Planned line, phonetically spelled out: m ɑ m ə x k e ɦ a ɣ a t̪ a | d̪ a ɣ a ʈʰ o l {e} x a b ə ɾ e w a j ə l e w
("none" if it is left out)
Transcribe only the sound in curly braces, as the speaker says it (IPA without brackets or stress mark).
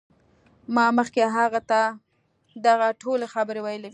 e